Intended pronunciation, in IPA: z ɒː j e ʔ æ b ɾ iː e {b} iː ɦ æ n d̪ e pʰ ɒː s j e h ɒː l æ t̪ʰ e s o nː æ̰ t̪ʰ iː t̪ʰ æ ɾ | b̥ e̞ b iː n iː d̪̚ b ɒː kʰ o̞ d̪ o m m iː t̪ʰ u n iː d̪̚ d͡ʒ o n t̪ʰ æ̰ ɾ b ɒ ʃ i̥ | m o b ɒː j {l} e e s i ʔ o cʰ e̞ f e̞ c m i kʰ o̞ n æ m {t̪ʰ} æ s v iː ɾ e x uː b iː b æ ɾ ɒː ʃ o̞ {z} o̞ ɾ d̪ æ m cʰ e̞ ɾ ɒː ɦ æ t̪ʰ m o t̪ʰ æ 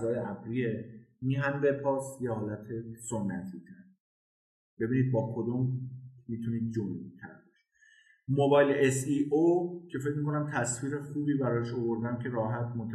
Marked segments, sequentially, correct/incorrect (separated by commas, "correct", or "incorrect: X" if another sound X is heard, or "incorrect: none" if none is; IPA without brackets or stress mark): incorrect: m, correct, correct, incorrect: v